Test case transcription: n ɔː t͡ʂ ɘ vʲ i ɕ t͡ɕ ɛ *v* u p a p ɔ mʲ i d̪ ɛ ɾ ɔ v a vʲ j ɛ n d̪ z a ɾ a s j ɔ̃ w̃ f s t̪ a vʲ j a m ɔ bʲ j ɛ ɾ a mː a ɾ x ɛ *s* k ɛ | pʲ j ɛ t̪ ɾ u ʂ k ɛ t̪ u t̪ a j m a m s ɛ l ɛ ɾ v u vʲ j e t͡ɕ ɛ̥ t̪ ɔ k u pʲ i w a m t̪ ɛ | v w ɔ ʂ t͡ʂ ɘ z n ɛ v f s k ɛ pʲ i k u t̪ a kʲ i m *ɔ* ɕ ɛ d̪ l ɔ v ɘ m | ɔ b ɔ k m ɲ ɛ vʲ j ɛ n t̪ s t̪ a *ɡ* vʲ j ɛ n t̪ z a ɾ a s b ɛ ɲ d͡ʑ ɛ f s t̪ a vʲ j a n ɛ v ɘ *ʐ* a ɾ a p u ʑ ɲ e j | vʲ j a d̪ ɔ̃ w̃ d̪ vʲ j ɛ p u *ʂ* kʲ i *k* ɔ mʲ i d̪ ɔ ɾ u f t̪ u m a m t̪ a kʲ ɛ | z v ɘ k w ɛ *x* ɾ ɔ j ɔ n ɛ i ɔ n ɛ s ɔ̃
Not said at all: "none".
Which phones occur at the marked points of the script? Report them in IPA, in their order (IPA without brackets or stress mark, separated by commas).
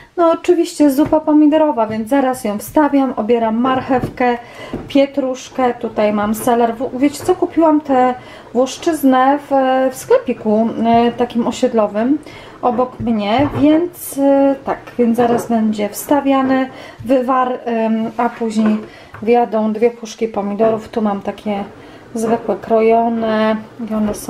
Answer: z, f, ɔ, k, v, ʂ, p, k